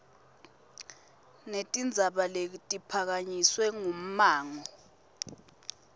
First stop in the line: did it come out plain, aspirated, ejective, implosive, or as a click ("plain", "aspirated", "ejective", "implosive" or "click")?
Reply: ejective